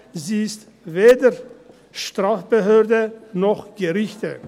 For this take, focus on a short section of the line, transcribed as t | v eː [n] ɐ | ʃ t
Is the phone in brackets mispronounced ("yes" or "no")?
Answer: yes